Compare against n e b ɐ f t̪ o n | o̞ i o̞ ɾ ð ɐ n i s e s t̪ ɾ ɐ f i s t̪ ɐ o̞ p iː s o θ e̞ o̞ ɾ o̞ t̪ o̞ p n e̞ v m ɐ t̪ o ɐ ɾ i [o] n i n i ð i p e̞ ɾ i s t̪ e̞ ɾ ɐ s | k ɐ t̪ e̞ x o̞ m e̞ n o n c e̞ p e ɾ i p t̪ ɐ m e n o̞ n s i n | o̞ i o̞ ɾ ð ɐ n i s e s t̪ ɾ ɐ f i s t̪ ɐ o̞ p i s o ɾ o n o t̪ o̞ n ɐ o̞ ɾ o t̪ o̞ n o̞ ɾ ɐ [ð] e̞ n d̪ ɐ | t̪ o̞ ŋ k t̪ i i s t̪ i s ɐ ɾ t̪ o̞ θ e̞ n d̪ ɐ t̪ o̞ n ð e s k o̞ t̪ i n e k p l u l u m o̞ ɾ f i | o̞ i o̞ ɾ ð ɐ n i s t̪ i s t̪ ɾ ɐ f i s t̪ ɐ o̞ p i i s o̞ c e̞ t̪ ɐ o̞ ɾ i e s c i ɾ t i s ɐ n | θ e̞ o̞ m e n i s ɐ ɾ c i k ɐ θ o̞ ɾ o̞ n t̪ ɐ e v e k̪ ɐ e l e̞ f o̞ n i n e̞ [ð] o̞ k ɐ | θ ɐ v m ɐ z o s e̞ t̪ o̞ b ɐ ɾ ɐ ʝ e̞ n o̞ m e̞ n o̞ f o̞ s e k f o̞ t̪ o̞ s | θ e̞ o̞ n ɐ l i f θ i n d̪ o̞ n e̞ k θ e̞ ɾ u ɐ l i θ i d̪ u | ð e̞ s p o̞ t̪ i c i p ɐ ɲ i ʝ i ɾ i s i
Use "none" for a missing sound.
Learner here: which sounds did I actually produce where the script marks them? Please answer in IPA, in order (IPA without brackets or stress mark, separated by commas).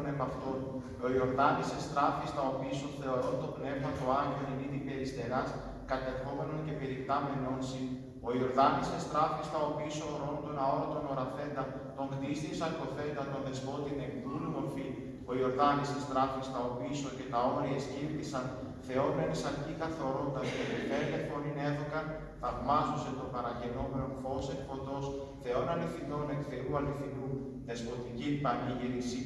o, θ, ð